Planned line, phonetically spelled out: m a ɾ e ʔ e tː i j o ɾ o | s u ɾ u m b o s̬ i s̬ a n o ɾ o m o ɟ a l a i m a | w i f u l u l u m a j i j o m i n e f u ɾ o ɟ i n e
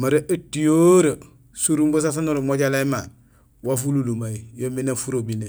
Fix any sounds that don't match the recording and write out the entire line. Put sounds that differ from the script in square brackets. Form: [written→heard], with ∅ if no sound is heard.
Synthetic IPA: m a ɾ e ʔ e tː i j o ɾ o | s u ɾ u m b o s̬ [i→a] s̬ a n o ɾ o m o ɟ a l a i m a | w [i→a] f u l u l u m a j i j o m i n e f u ɾ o [ɟ→b] i n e